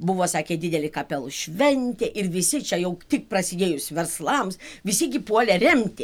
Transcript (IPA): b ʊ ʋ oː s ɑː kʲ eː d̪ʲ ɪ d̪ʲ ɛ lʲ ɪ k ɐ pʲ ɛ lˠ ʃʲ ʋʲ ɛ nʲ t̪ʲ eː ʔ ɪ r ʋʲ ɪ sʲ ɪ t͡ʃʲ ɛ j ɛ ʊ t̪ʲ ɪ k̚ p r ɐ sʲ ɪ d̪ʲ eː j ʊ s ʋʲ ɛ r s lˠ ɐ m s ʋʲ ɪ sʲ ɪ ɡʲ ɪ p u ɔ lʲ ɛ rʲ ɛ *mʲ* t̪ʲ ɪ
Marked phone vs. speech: correct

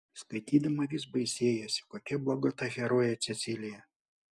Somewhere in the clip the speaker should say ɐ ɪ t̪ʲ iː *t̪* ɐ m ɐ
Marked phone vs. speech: incorrect: d̪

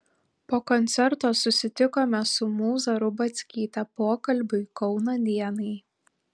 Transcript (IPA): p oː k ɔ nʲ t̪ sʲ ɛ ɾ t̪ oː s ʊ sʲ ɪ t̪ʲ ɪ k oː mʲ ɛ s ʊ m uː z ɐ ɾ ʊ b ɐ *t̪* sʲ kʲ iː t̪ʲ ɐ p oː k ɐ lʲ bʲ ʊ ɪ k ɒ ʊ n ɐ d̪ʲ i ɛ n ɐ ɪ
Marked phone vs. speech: correct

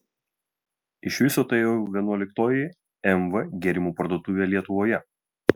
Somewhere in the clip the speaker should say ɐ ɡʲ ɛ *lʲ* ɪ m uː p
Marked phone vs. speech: incorrect: ɾʲ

